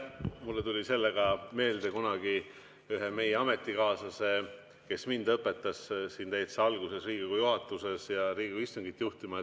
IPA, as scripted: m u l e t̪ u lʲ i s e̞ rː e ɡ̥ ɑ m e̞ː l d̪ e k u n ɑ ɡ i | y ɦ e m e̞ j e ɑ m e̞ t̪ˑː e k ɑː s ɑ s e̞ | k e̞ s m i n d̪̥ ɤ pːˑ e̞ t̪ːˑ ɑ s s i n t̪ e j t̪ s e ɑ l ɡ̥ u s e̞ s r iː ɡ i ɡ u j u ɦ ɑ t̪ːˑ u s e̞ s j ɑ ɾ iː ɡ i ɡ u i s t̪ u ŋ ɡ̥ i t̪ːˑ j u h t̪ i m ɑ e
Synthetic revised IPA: m u lː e t̪ u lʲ i s e̞ lː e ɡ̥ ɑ m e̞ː l d̪ e k u n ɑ ɡ i | y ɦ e m e̞ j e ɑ m e̞ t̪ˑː i k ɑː s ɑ s e̞ | k e̞ s m i n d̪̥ ɤ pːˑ e̞ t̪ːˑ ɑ s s i n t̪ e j t̪ s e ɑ l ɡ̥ u s e̞ s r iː ɡ i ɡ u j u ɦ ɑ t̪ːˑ u s e̞ s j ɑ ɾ iː ɡ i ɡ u i s t̪ u ŋ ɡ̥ i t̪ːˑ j u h t̪ i m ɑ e